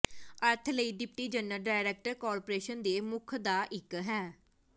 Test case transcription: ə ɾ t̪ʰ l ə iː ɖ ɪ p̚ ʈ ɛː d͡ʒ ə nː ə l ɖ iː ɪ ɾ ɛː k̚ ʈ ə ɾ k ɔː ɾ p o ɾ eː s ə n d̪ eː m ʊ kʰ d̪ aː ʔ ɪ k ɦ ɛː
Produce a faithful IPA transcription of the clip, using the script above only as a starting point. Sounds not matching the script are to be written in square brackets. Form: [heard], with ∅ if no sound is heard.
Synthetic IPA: ə ɾ t̪ʰ l ə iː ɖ ɪ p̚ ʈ [iː] d͡ʒ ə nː ə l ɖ [aː] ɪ ɾ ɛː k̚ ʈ ə ɾ k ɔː ɾ p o ɾ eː [ʃ] ə n d̪ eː m ʊ kʰ d̪ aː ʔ ɪ k ɦ ɛː